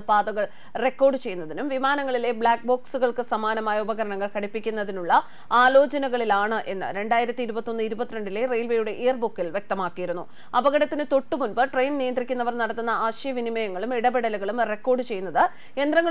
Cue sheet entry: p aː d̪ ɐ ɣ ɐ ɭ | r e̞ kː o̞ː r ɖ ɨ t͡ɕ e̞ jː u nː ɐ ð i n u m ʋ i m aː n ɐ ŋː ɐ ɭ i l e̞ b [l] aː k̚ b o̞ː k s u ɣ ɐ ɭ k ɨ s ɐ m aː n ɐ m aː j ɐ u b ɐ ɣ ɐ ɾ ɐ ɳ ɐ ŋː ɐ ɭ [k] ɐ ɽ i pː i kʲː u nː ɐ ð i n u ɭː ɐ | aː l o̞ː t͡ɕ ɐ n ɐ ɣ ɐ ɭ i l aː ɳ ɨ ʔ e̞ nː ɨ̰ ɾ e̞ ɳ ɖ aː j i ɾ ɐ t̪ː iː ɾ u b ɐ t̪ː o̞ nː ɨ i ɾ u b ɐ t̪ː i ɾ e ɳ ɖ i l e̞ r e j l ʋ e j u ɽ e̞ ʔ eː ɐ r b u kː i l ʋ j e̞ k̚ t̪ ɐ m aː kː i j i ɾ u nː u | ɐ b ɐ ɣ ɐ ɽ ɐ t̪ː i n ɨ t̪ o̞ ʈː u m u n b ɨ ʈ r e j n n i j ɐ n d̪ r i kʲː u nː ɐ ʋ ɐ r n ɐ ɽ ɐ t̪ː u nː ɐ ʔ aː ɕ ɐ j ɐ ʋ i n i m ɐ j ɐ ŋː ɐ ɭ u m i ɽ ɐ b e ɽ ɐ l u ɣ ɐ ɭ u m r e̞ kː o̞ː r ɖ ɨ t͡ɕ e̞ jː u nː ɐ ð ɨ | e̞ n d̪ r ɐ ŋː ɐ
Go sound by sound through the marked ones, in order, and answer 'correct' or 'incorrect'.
incorrect: ɭ, correct

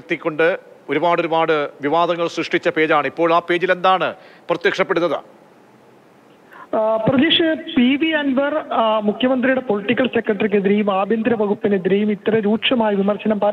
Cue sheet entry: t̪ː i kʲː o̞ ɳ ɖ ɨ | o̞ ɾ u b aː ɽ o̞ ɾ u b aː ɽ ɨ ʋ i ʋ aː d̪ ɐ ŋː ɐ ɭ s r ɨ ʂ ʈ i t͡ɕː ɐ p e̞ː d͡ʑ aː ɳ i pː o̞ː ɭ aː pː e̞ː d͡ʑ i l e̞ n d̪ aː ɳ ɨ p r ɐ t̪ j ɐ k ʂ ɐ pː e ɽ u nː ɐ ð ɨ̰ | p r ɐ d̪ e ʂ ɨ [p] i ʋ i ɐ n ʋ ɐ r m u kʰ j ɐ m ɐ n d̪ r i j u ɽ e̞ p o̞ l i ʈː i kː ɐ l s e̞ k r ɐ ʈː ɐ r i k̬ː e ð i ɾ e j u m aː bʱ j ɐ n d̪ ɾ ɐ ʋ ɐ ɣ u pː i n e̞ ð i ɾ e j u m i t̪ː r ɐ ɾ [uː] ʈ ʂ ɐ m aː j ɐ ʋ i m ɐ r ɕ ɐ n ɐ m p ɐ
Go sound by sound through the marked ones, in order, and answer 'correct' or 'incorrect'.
correct, correct

